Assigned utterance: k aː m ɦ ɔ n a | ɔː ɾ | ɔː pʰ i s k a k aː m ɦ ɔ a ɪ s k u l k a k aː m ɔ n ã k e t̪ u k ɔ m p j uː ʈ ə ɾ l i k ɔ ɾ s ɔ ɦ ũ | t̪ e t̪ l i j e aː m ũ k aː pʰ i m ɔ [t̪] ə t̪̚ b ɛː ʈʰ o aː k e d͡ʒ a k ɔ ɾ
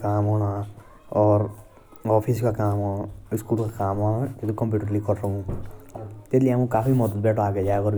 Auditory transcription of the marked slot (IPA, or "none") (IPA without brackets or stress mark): d̪